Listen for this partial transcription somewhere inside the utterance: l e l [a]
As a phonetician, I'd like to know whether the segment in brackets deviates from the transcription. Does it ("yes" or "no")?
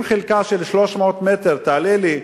yes